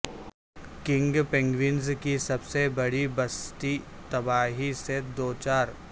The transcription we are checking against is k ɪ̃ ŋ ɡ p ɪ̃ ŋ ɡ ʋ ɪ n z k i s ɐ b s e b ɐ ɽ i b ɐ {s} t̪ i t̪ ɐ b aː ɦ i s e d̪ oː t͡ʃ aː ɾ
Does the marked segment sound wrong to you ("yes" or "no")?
no